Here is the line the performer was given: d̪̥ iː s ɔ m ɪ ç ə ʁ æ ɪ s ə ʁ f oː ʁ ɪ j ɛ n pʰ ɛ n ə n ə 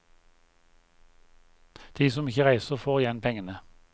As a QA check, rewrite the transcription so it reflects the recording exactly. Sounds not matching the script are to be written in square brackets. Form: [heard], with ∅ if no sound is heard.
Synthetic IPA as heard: d̪̥ iː s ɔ m ɪ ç ə ʁ æ ɪ s ə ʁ f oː ʁ ɪ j ɛ n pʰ ɛ [ŋ] ə n ə